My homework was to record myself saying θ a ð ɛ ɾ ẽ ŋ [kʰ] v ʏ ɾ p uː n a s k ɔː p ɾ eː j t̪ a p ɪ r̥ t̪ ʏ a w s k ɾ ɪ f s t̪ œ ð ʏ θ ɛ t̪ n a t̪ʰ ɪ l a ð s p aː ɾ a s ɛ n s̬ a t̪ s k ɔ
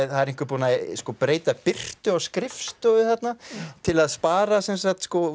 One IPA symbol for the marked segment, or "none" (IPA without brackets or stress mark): k